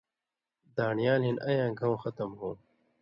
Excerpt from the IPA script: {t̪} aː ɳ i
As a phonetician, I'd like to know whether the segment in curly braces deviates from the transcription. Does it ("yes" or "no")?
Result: yes